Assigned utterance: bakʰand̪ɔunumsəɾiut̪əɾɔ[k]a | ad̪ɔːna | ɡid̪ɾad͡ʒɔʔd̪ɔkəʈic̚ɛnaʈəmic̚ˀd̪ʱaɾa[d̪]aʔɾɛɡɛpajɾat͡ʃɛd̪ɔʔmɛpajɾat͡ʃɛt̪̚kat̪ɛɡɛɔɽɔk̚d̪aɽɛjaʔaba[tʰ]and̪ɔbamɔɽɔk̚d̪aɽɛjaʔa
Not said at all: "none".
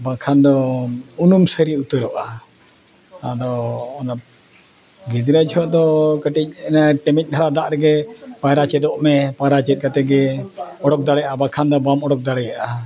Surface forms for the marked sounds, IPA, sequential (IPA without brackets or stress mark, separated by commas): ʔ, d̪, kʰ